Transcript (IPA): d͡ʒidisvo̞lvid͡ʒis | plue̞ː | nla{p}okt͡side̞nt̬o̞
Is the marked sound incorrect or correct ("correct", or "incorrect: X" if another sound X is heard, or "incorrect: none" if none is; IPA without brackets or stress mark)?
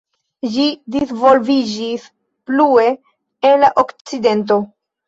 incorrect: ʔ